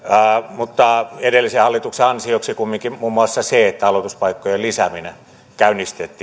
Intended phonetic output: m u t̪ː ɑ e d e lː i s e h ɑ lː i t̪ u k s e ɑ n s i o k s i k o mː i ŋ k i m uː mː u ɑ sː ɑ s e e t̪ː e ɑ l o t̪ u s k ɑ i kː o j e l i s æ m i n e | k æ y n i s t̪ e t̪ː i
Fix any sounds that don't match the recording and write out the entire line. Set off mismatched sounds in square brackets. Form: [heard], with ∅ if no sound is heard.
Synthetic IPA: m u t̪ː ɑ e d e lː i s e h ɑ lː i t̪ u k s e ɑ n s i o k s i k [u] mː i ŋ k i m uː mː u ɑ sː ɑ s e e t̪ː [æ] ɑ l o t̪ u s [p] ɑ i kː o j e l i s æ m i n e | k æ y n i s t̪ e t̪ː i